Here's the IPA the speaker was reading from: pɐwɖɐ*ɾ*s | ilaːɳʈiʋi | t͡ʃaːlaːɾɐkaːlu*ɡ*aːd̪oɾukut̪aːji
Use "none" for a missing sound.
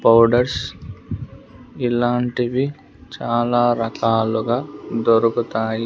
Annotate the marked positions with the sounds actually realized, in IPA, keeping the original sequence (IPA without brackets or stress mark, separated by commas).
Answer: ɾ, ɡ